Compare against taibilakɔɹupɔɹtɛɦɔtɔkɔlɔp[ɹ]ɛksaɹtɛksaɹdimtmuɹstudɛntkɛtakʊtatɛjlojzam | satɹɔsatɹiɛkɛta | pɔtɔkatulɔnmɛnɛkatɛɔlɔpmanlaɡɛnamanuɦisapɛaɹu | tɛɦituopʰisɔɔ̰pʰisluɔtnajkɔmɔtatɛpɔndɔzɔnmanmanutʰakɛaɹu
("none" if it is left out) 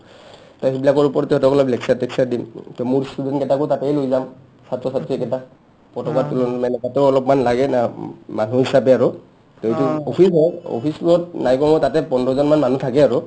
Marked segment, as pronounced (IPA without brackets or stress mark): l